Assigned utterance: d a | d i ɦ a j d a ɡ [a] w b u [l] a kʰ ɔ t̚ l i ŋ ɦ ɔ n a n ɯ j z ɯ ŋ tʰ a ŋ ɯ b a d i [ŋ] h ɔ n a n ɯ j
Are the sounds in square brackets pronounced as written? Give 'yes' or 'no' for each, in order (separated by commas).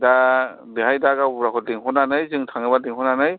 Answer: yes, no, yes